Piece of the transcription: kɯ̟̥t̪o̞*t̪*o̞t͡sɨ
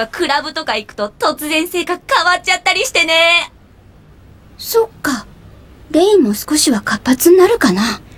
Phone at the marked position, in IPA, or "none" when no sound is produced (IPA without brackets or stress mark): t̪